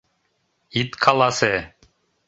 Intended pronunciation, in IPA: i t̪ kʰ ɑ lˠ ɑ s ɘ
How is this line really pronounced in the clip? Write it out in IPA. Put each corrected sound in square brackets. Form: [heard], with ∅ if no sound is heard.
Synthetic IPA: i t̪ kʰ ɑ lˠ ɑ s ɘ